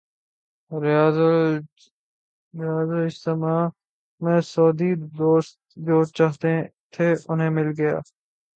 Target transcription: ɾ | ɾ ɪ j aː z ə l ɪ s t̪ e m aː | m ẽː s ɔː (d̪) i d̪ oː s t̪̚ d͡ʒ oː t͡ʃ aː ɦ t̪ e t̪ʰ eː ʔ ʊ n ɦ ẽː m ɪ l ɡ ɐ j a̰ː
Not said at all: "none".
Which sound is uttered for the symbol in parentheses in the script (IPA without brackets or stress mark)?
d̪